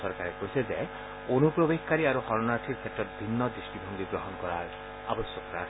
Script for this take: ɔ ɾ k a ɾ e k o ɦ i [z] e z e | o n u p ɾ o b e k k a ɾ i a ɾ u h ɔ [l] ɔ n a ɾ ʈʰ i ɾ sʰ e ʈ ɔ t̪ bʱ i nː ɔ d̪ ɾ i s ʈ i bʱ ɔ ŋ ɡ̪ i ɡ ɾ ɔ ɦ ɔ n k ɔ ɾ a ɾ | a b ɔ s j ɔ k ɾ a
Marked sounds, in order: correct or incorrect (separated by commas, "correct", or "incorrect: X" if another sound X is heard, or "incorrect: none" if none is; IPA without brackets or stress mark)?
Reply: incorrect: s, incorrect: ɾ